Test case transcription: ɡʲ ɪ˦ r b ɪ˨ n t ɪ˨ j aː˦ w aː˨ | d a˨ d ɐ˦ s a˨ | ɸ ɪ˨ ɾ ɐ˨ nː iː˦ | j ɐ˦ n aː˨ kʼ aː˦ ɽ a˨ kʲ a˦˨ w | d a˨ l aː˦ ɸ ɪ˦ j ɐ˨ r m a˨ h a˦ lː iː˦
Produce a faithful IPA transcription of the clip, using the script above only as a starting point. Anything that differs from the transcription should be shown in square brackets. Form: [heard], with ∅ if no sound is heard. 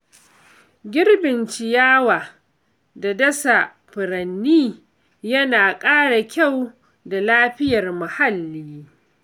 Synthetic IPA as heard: ɡʲ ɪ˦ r b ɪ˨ n [t͡ʃ] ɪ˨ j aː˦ w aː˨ | d a˨ d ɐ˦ s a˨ | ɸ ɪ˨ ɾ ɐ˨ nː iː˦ | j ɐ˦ n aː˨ kʼ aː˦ ɽ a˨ kʲ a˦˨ w | d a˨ l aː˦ ɸ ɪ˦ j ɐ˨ r m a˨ h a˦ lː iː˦